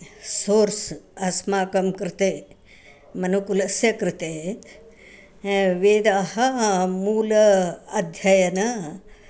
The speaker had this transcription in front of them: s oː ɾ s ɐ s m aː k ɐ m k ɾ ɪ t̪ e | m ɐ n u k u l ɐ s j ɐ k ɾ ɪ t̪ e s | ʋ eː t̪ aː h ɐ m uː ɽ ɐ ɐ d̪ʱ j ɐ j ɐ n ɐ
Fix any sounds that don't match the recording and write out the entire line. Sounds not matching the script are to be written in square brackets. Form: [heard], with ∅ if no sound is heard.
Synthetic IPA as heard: s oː ɾ s ɐ s m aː k ɐ m k ɾ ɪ t̪ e | m ɐ n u k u l ɐ s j ɐ k ɾ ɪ t̪ e [∅] | ʋ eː [d̪] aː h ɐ m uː [l] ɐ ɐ d̪ʱ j ɐ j ɐ n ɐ